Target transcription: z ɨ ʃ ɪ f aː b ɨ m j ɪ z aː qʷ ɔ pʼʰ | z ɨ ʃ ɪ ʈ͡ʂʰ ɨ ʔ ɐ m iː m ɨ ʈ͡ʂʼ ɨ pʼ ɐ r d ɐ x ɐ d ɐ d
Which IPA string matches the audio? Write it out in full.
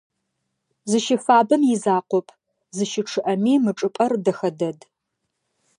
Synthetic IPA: z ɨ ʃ ɪ f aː b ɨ m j ɪ z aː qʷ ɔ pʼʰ | z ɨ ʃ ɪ ʈ͡ʂʰ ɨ ʔ ɐ m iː m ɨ ʈ͡ʂʼ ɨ pʼ ɐ r d ɐ x ɐ d ɐ d